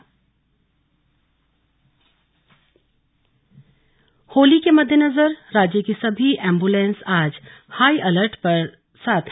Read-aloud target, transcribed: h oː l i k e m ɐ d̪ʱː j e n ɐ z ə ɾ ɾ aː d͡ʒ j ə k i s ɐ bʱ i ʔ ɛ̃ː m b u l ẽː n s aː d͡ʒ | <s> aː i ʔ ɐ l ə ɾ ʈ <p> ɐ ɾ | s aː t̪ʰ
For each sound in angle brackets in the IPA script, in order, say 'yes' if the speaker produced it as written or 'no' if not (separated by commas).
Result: no, yes